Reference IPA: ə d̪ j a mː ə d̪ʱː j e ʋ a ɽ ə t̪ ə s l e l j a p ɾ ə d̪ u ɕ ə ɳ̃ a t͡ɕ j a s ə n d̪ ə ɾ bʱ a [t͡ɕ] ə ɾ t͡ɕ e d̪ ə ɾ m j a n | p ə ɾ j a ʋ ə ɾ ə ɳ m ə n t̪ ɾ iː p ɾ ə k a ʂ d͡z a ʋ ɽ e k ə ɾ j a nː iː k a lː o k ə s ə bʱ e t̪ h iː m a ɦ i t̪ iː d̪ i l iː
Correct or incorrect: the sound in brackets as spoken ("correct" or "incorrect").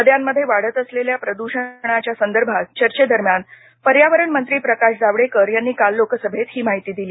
correct